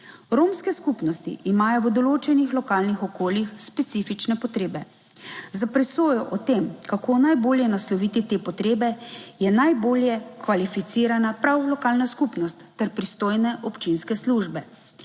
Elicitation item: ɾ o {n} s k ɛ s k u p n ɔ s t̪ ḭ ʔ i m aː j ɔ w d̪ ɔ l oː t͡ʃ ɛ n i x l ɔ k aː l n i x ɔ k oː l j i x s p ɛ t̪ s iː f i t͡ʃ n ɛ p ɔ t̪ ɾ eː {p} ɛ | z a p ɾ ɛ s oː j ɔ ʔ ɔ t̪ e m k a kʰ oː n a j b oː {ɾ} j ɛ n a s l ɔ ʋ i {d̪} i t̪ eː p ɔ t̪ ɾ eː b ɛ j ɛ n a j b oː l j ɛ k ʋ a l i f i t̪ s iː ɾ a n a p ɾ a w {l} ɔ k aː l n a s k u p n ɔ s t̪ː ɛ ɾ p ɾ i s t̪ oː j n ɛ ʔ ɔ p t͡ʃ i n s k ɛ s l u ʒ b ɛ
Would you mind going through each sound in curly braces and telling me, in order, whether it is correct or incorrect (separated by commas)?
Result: incorrect, incorrect, incorrect, incorrect, correct